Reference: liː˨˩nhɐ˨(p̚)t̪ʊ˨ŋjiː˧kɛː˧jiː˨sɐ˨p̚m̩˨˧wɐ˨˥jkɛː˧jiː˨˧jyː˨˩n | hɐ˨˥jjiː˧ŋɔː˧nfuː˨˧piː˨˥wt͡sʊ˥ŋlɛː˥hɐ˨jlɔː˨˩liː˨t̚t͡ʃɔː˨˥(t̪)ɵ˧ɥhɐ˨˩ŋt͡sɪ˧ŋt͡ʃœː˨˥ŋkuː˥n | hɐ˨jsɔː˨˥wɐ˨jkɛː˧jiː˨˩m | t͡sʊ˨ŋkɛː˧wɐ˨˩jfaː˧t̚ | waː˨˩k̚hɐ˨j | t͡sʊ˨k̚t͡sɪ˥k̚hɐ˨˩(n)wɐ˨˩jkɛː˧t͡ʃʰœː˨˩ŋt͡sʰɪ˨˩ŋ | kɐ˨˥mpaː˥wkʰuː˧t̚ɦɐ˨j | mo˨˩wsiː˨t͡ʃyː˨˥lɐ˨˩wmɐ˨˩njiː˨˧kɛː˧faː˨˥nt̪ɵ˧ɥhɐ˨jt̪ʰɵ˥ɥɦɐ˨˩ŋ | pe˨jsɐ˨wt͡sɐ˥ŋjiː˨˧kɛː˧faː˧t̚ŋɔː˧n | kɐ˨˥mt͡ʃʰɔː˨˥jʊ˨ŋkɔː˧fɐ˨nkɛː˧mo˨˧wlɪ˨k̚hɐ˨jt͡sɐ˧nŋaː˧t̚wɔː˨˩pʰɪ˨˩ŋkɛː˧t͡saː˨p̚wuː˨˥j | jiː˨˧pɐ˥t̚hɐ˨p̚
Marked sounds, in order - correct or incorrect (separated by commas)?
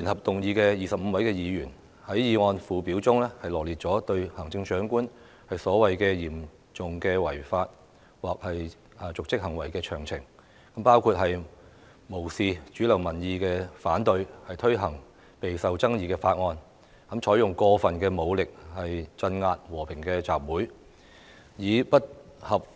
correct, correct, incorrect